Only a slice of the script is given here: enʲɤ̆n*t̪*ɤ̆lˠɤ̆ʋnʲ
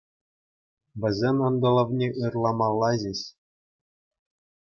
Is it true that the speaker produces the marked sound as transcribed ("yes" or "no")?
no